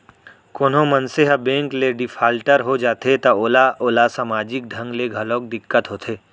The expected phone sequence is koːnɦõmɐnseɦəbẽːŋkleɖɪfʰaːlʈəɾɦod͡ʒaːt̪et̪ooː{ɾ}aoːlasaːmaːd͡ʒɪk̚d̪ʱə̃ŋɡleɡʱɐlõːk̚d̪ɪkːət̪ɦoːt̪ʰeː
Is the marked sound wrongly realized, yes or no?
yes